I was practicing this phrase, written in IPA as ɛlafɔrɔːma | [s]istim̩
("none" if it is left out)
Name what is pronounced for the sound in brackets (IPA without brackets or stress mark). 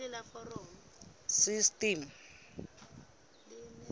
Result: s